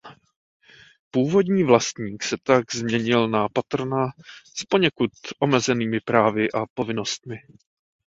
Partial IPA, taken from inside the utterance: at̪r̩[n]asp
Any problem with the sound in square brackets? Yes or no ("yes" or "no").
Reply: no